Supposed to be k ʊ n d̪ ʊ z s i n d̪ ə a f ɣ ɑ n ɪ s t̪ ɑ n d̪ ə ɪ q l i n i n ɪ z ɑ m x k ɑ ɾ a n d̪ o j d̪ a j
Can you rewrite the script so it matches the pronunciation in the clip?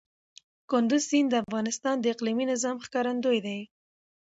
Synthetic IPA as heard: k ʊ n d̪ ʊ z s i n d̪ ə a f ɣ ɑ n ɪ s t̪ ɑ n d̪ ə ɪ q l i m i n ɪ z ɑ m x k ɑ ɾ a n d̪ o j d̪ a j